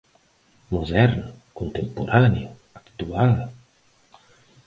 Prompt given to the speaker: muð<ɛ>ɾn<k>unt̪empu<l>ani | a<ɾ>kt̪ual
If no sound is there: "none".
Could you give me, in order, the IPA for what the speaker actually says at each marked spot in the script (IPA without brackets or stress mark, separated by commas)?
ɛ, k, ɾ, none